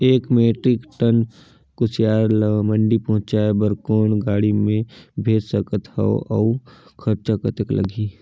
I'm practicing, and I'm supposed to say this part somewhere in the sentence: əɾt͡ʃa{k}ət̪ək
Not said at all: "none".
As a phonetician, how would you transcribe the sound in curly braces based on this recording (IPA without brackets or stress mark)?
k